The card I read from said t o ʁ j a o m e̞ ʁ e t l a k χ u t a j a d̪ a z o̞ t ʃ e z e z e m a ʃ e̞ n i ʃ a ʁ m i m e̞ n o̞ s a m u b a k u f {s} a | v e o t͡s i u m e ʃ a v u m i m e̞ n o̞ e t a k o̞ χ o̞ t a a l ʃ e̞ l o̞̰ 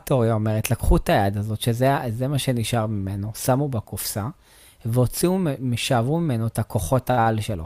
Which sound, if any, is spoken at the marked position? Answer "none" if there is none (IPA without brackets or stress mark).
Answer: s